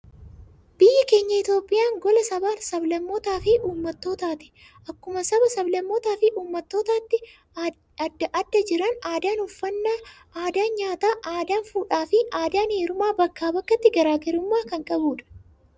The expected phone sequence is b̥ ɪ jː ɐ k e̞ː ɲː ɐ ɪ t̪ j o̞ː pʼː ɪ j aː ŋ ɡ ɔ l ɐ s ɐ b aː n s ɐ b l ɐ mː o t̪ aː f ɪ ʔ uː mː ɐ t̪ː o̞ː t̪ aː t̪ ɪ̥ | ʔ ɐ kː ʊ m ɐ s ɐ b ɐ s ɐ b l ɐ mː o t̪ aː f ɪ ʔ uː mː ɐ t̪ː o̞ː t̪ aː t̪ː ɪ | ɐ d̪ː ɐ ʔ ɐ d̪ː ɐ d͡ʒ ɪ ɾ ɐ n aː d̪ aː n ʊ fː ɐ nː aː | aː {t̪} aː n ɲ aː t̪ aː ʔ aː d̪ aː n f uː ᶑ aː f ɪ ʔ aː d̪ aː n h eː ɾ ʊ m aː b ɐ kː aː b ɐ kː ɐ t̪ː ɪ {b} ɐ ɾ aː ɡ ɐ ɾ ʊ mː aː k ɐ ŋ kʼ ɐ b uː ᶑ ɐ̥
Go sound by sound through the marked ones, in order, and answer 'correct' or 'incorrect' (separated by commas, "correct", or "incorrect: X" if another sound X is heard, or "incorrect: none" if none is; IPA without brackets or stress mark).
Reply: incorrect: d̪, incorrect: ɡ